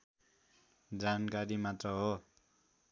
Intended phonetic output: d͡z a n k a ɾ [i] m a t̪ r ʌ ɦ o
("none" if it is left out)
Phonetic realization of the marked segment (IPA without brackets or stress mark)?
i